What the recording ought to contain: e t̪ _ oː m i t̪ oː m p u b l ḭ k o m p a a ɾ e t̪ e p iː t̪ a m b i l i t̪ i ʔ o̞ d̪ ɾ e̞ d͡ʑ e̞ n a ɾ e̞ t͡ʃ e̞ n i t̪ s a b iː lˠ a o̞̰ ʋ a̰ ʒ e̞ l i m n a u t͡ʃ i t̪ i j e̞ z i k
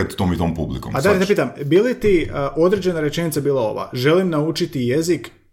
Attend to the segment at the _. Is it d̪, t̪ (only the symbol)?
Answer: t̪